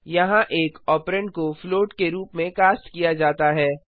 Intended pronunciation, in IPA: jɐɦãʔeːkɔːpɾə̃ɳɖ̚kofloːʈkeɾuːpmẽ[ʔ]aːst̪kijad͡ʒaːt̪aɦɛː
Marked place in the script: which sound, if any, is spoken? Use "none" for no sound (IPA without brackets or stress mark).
k